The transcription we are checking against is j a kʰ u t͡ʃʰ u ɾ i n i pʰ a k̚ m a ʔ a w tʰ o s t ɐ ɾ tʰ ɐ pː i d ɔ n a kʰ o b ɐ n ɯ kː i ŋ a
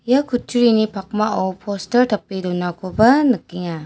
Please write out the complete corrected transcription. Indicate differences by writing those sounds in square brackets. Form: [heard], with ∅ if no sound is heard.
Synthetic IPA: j a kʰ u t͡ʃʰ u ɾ i n i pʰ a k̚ m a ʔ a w [pʰ] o s t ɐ ɾ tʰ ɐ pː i d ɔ n a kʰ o b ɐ n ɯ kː i ŋ a